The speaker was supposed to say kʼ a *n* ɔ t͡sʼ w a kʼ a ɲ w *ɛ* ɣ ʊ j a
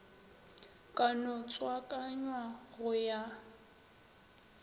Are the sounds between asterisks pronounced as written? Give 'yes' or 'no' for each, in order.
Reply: yes, no

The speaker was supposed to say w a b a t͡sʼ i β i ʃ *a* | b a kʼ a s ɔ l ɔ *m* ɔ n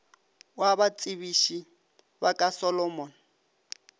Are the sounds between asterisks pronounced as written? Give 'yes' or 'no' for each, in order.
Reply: no, yes

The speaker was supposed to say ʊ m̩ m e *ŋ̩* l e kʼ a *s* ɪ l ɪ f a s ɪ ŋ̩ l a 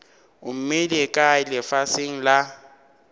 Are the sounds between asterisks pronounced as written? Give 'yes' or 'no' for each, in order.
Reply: no, no

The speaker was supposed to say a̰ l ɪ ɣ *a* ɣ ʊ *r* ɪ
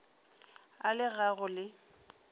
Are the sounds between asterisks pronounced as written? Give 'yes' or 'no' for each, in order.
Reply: yes, no

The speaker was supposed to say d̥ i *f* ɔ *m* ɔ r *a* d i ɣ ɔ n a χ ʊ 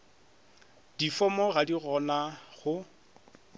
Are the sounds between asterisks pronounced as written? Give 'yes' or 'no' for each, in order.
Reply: yes, yes, yes

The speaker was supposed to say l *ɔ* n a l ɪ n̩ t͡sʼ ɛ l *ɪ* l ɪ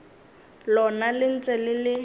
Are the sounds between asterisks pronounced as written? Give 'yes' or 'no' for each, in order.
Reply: yes, yes

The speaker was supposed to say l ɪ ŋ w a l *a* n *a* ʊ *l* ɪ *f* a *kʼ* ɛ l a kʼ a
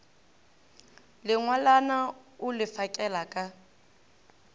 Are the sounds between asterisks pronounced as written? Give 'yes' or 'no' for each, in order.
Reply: yes, yes, yes, yes, yes

